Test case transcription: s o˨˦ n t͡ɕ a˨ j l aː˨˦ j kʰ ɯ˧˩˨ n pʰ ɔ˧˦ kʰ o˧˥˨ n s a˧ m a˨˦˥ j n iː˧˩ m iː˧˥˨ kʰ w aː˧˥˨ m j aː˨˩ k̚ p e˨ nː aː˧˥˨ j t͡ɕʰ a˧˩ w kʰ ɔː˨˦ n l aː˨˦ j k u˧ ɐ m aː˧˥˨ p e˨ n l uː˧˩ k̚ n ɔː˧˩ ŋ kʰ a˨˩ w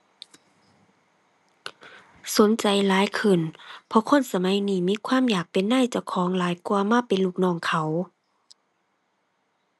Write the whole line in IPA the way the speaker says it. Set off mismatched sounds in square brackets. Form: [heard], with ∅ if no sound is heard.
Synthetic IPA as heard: s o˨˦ n t͡ɕ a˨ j l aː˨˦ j kʰ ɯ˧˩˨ n pʰ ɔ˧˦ kʰ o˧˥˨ n s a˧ m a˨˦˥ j n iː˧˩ m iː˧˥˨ kʰ w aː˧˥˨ m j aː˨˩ k̚ p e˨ nː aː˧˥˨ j [t͡ɕ] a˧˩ w kʰ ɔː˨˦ [ŋ] l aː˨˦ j k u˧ ɐ m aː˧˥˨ p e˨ n l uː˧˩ k̚ n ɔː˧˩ ŋ kʰ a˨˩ w